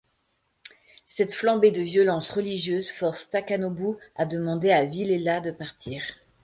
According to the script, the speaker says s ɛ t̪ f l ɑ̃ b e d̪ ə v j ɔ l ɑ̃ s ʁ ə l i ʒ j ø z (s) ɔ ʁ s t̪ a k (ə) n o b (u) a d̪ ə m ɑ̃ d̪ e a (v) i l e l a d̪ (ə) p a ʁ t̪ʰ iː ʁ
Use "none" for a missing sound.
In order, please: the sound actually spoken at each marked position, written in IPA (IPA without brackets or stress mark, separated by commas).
f, a, u, v, ə